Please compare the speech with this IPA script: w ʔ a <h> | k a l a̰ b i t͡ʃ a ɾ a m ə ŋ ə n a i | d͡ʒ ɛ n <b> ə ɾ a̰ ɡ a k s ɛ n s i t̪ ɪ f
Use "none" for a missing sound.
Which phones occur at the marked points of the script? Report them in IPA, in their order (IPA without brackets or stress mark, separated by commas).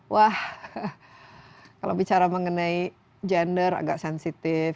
h, d